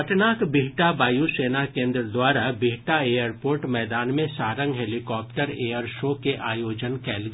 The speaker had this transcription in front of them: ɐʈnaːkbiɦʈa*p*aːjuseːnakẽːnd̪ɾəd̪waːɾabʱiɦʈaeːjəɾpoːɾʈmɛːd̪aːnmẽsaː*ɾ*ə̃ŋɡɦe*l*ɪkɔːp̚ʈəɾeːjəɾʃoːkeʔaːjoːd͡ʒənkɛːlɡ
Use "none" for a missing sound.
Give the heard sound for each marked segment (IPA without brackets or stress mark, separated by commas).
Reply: b, ɾ, l